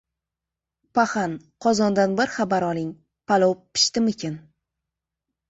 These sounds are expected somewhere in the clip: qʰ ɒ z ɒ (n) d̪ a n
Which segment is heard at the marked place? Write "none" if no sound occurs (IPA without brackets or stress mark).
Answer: n